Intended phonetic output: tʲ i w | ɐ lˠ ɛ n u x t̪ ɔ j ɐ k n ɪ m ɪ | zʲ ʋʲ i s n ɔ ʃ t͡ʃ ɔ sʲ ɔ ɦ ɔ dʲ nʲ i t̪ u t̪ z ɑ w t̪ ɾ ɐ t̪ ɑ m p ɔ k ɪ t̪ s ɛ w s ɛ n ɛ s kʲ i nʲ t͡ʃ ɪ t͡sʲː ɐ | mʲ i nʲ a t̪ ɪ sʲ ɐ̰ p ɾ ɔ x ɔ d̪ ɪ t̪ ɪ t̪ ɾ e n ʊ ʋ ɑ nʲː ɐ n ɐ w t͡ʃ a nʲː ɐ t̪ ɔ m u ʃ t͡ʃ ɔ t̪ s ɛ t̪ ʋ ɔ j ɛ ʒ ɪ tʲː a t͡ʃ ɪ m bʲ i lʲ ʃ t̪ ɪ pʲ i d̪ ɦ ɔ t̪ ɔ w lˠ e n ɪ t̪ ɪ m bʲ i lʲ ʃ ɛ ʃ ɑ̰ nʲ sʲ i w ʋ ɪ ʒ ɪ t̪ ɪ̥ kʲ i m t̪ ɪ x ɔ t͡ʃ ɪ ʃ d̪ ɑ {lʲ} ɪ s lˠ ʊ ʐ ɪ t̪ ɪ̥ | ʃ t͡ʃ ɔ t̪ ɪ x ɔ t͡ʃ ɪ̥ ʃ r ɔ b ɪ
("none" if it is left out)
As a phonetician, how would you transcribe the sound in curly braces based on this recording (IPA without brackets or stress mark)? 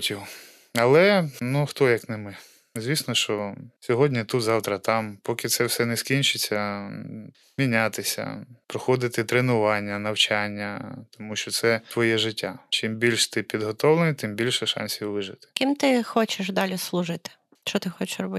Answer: lʲ